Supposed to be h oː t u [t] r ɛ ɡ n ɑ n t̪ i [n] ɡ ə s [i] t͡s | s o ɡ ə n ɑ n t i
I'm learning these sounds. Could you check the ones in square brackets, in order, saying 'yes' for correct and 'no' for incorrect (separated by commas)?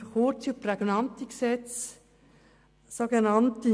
no, no, no